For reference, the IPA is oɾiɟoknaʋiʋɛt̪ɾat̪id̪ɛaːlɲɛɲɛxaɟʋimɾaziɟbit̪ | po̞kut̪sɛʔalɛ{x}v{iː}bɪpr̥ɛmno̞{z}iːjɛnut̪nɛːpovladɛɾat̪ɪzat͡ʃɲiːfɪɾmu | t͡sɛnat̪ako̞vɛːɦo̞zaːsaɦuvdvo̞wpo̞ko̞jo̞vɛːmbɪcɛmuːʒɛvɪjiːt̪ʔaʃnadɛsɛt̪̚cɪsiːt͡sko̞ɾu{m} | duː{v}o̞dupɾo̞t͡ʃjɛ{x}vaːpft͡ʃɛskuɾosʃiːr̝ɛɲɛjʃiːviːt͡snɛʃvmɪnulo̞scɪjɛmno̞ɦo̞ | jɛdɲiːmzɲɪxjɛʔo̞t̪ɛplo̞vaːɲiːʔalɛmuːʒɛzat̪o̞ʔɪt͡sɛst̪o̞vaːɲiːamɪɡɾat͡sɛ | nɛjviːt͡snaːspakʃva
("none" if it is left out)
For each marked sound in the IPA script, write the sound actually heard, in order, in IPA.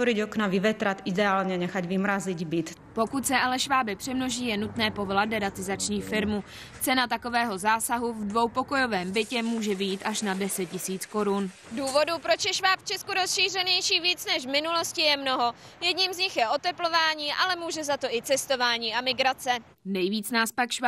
ʃ, aː, ʒ, n, v, ʃ

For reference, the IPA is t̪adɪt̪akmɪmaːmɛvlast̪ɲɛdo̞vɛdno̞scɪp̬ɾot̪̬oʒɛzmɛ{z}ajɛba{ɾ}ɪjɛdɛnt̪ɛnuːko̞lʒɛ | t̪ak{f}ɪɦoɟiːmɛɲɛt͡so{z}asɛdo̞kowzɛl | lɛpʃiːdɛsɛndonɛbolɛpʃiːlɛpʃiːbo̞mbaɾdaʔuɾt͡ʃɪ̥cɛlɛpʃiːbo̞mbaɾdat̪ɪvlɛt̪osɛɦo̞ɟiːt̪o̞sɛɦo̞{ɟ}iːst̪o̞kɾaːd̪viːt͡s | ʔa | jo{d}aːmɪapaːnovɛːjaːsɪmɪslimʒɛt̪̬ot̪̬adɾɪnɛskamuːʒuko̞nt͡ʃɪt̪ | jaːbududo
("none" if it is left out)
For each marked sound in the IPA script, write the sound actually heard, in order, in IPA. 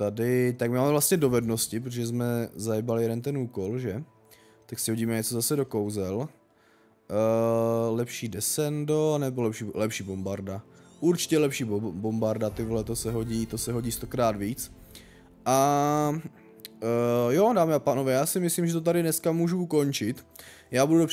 z, l, s, z, ɟ, d

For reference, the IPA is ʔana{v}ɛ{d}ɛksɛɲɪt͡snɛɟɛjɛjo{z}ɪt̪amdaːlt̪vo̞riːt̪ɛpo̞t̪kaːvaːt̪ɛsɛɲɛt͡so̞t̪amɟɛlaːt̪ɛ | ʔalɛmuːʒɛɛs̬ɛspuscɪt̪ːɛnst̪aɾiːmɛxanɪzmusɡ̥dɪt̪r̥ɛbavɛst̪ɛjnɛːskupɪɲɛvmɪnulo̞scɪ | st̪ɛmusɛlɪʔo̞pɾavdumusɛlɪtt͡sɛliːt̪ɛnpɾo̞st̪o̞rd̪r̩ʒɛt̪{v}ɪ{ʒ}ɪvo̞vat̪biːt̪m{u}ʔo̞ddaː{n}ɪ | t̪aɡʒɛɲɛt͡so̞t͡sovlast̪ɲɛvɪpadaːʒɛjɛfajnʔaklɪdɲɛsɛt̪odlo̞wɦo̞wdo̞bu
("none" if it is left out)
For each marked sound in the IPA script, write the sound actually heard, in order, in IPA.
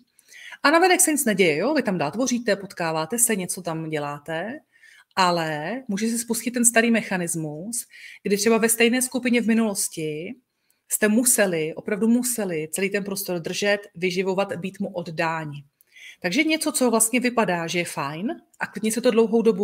v, n, v, v, ʒ, u, ɲ

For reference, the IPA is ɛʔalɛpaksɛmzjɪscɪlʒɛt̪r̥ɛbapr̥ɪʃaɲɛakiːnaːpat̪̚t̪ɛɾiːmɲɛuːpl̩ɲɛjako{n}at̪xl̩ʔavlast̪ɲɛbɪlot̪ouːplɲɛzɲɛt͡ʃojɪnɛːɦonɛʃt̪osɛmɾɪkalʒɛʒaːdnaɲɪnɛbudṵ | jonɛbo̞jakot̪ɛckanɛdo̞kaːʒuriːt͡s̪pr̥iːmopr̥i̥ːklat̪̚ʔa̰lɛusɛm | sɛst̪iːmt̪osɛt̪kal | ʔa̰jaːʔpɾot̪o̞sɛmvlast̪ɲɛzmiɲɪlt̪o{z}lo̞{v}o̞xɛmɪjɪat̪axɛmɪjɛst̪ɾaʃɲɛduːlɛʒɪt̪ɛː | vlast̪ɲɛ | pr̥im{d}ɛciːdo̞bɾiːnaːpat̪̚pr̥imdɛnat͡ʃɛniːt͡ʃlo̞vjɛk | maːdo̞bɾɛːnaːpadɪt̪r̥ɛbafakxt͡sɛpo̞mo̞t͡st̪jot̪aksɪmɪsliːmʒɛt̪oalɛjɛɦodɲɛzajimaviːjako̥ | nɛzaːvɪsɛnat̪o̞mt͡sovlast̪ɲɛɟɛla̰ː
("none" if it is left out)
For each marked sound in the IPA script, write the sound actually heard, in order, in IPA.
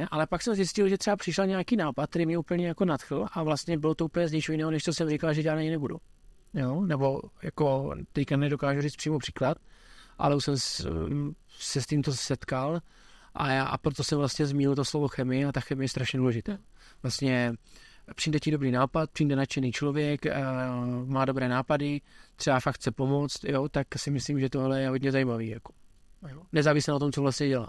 n, s, v, d

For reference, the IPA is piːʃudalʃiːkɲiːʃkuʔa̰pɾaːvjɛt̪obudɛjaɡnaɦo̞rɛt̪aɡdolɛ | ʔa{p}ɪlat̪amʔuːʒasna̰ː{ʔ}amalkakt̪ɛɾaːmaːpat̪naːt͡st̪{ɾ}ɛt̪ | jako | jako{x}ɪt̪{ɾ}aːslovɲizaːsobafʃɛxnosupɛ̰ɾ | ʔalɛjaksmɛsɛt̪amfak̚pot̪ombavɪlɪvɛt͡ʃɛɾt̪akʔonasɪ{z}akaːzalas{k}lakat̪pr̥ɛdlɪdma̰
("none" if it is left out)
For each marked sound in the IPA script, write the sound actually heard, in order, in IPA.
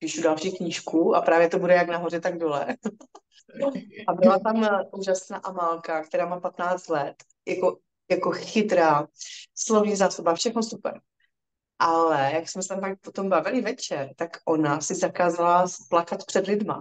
b, ʔ, l, x, ɾ, z, p

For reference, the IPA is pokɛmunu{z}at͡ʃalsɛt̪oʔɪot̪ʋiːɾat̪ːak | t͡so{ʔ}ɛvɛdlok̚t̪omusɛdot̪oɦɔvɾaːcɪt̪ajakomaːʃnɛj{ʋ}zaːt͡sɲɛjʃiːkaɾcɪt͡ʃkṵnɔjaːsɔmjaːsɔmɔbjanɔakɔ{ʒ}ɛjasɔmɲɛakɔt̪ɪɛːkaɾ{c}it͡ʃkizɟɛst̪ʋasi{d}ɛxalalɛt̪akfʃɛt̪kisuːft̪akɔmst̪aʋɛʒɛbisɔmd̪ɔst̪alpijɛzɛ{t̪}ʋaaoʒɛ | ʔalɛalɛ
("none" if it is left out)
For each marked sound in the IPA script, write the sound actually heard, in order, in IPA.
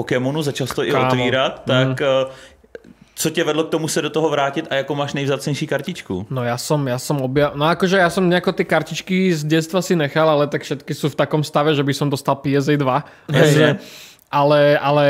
z, c, v, ʒ, c, n, d̪

